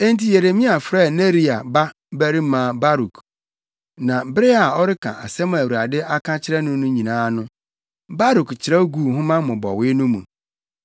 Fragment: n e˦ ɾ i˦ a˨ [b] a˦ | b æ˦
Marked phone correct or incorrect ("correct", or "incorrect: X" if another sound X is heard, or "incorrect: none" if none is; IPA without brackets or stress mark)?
correct